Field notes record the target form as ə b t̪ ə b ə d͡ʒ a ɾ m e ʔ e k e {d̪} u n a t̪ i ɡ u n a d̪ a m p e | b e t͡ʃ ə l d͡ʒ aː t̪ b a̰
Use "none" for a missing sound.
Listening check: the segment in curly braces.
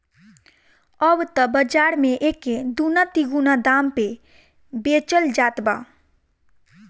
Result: d̪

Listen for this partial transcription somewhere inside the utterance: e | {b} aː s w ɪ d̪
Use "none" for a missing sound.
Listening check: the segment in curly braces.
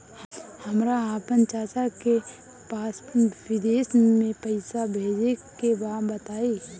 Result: p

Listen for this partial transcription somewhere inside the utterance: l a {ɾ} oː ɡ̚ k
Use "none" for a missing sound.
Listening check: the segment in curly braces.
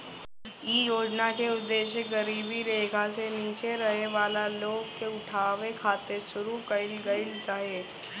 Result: l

